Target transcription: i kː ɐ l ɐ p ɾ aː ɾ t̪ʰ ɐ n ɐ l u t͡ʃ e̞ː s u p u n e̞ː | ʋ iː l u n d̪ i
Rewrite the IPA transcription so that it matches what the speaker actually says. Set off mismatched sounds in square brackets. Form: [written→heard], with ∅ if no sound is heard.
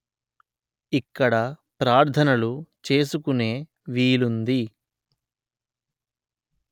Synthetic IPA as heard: i kː ɐ [l→ɽ] ɐ p ɾ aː ɾ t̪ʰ ɐ n ɐ l u t͡ʃ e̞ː s u [p→k] u n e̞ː | ʋ iː l u n d̪ i